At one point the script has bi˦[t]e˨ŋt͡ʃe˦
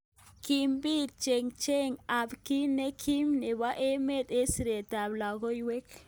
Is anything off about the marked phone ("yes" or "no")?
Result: yes